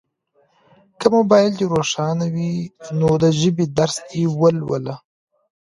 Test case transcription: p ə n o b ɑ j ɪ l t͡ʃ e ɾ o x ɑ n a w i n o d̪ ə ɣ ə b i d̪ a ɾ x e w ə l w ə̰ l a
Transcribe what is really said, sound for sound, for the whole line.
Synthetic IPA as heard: k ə m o b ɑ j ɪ l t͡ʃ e ɾ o ʂ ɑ n a w i n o d̪ ə ʒ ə b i d̪ a ɾ s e w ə l w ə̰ l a